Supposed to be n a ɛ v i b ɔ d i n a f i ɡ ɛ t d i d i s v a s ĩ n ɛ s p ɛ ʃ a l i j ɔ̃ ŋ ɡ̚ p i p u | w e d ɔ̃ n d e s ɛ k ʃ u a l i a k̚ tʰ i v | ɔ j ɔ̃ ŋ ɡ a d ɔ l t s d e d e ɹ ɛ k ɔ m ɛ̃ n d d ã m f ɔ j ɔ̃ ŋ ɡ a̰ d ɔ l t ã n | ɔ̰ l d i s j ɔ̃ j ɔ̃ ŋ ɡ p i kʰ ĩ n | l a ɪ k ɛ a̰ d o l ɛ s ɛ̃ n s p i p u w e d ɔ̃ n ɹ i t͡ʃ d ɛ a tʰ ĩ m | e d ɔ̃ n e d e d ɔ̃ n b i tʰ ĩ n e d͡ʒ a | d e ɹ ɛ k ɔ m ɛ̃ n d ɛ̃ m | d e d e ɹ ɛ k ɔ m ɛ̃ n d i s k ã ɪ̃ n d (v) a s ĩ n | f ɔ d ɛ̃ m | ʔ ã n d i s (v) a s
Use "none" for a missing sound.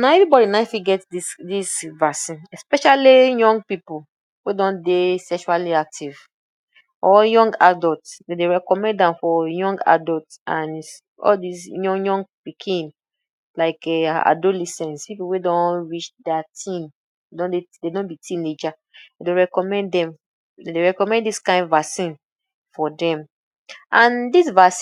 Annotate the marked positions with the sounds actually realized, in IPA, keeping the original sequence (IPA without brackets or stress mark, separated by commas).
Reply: v, v